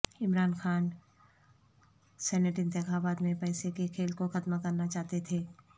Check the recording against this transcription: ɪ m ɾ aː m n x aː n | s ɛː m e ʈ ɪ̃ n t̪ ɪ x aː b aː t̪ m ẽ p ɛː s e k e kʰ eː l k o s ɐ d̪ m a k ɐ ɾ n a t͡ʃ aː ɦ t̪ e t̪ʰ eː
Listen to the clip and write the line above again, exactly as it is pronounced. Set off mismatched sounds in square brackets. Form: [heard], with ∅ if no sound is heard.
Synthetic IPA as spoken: ɪ m ɾ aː [∅] n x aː n | s ɛː [n] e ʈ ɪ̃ n t̪ ɪ x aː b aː t̪ m ẽ p ɛː s e k e kʰ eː l k o [x] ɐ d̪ m a k ɐ ɾ n a t͡ʃ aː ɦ t̪ e t̪ʰ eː